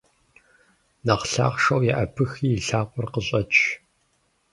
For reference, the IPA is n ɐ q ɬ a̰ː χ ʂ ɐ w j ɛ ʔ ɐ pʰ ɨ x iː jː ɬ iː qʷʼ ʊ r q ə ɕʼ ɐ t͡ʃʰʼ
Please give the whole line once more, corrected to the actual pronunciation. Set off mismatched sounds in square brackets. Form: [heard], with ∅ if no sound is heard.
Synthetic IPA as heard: n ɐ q ɬ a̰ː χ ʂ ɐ w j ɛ ʔ ɐ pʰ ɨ x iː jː ɬ [aː] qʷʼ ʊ r q ə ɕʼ ɐ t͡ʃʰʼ